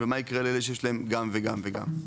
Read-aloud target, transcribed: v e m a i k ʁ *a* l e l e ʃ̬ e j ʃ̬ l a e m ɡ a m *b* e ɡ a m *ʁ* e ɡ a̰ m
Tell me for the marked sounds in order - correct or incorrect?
incorrect: e, incorrect: v, incorrect: v

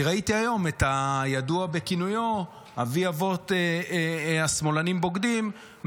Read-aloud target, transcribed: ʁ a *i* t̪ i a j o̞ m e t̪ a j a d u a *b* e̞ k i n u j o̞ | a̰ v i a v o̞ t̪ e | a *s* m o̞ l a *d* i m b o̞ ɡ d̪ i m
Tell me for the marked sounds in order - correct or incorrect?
correct, correct, correct, incorrect: n

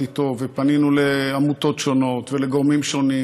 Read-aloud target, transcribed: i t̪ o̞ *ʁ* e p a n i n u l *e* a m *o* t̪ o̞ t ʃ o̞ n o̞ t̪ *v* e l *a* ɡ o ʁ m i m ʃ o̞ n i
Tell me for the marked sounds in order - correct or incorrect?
incorrect: v, correct, incorrect: u, correct, incorrect: e

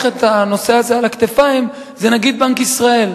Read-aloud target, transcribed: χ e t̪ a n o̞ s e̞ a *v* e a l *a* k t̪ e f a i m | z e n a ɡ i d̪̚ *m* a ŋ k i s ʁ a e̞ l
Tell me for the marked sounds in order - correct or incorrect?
incorrect: z, correct, incorrect: b

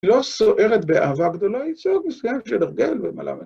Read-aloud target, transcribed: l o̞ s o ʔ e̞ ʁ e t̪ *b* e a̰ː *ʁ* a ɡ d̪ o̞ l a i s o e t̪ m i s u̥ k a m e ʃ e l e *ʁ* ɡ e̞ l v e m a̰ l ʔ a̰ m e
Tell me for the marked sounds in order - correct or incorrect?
correct, incorrect: v, correct

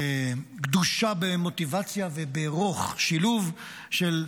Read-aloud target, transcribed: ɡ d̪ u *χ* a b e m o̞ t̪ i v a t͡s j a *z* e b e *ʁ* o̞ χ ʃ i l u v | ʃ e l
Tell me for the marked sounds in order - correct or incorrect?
incorrect: ʃ, incorrect: v, correct

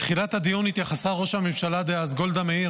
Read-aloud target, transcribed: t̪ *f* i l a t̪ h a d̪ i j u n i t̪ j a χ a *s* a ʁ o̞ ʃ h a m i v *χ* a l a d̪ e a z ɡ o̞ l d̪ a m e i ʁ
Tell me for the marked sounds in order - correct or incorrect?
incorrect: χ, correct, incorrect: ʃ

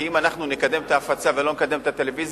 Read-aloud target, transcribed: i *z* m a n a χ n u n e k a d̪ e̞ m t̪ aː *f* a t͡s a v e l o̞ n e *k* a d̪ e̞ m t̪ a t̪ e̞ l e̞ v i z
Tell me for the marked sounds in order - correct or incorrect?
incorrect: none, correct, correct

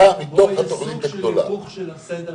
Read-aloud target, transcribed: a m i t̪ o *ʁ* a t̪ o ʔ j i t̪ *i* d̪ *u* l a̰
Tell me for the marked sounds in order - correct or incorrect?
incorrect: χ, incorrect: a, incorrect: o

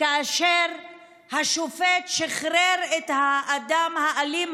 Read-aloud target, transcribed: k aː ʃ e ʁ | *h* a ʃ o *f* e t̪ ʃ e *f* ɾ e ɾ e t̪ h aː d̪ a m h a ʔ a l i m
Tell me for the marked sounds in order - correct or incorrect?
correct, correct, incorrect: χ

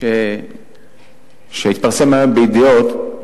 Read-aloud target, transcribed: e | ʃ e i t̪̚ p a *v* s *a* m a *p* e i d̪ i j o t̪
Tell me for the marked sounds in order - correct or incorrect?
incorrect: ʁ, incorrect: e, incorrect: b

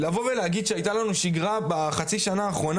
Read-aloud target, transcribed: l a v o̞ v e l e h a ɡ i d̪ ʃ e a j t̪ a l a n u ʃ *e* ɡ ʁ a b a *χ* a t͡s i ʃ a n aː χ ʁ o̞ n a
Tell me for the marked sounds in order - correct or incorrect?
incorrect: i, correct

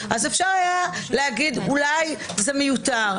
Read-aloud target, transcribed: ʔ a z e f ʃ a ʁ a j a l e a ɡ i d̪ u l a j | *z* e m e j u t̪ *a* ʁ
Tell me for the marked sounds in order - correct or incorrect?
correct, correct

